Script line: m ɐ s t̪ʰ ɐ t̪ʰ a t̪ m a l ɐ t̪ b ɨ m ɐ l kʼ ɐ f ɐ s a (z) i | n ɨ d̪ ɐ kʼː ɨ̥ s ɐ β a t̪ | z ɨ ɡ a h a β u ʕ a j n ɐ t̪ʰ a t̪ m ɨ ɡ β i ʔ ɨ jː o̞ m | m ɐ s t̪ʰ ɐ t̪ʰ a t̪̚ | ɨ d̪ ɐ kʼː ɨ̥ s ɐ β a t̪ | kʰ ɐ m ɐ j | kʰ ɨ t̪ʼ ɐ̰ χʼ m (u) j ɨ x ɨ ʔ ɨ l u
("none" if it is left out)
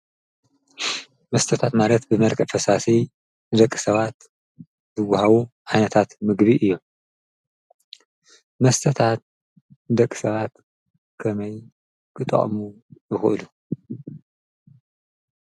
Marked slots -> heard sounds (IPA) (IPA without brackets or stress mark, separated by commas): s, u